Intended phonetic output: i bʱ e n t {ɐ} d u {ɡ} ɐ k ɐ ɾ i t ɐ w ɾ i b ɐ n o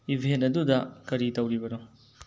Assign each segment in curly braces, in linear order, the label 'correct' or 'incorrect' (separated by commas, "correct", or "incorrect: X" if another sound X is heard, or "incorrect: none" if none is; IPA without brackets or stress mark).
correct, incorrect: d